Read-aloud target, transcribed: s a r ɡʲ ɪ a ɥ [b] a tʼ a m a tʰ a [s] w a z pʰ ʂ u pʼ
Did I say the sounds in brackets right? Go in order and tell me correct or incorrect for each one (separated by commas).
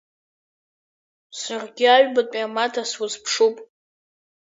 correct, correct